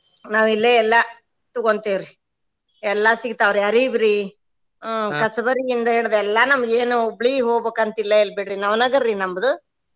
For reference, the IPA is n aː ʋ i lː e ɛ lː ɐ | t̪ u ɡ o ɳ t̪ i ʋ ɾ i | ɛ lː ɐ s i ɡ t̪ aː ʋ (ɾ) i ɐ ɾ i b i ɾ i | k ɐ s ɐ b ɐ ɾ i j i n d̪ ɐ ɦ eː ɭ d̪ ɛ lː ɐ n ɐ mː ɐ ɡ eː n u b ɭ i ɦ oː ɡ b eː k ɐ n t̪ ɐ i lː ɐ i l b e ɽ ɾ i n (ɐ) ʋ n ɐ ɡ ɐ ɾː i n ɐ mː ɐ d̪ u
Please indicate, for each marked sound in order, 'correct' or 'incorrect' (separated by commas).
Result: correct, correct